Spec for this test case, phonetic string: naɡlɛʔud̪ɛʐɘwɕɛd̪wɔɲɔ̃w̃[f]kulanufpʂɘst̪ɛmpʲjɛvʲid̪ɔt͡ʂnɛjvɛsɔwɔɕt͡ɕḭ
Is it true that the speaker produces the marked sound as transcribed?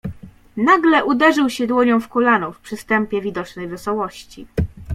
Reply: yes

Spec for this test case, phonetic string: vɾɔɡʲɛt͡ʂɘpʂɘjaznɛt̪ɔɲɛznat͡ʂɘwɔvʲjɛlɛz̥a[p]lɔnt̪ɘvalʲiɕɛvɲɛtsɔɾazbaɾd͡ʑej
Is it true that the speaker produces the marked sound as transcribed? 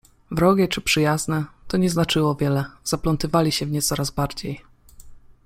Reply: yes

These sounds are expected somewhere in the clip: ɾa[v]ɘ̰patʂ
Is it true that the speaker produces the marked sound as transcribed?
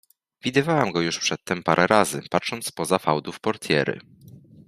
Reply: no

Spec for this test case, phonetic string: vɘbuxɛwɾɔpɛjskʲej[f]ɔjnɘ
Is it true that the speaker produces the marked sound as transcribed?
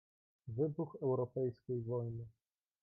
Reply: no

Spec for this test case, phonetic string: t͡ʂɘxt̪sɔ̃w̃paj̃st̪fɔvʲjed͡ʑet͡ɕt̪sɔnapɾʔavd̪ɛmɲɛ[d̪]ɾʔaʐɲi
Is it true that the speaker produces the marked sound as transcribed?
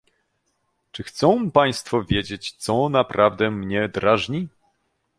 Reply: yes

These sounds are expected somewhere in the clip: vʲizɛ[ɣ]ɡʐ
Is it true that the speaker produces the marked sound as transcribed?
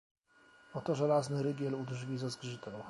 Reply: no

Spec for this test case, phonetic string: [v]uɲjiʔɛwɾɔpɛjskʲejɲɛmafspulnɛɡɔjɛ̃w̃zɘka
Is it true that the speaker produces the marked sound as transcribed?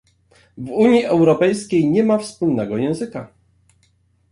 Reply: yes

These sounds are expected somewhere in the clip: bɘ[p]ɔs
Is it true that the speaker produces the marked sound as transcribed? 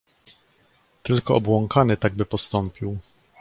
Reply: yes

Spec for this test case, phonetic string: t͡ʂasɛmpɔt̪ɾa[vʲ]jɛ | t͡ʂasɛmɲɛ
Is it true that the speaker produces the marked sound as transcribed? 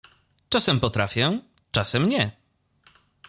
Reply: no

